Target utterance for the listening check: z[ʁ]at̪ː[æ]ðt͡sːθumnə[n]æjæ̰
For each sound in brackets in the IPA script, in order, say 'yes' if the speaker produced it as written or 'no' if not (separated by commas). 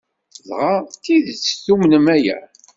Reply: yes, no, no